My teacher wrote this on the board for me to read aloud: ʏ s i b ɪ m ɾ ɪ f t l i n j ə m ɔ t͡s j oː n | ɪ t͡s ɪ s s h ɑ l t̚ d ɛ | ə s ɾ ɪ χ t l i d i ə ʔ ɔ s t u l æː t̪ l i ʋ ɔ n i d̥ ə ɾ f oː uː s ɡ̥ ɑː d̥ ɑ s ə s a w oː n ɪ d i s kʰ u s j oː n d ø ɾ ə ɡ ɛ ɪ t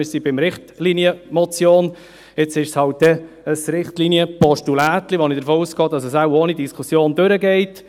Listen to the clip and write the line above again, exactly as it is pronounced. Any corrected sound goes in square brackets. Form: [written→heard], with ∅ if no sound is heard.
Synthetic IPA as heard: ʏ s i b ɪ m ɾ ɪ [f→χ] t l i n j ə m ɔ t͡s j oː n | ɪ t͡s ɪ [s→ʃ] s h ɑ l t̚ d ɛ | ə s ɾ ɪ χ t l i [d→n] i ə [ʔ→p] ɔ [s→ʃ] t u l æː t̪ l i ʋ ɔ n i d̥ ə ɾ f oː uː s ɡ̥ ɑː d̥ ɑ s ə s a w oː n [ɪ→i] d i s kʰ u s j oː n d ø ɾ ə ɡ ɛ ɪ t